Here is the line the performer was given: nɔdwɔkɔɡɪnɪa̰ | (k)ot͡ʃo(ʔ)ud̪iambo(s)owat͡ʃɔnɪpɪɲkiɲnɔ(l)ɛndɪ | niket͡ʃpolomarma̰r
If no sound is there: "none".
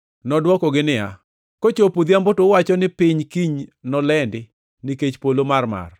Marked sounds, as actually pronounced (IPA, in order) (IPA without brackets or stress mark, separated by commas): k, p, t, l